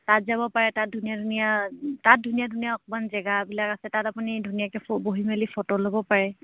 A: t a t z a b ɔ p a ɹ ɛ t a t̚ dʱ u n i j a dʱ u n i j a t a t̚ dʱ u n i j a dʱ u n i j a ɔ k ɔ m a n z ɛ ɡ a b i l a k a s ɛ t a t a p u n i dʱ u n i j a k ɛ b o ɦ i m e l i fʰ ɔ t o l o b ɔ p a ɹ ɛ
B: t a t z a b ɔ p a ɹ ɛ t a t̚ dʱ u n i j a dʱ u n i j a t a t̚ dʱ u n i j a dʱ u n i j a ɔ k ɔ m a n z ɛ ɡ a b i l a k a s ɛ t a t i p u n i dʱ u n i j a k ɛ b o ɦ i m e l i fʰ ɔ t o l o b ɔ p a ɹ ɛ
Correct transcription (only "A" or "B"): A